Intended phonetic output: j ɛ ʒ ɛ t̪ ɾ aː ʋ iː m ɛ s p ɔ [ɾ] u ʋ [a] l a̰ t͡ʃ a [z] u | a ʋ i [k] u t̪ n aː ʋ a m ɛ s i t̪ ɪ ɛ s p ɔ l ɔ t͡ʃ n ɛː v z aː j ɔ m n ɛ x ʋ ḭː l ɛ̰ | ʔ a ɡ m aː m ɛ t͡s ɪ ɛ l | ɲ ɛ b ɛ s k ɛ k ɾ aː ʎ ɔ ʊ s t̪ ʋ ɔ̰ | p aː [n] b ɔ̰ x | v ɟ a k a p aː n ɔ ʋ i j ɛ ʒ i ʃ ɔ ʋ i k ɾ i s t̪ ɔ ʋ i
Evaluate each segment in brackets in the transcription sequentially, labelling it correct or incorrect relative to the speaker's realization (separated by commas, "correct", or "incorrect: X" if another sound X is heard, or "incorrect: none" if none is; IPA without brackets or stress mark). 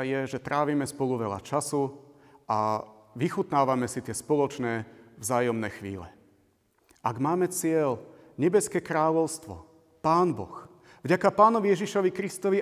incorrect: l, incorrect: ɛ, incorrect: s, incorrect: x, correct